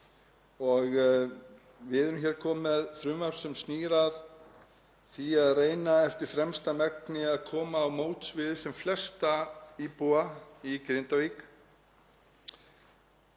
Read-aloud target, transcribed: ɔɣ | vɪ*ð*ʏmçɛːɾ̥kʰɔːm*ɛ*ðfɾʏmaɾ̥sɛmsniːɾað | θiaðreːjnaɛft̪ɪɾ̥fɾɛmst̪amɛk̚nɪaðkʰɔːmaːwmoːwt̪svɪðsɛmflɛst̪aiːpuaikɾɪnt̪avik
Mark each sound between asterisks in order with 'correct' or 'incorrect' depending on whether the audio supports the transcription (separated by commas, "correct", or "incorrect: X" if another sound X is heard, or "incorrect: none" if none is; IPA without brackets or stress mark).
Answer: correct, correct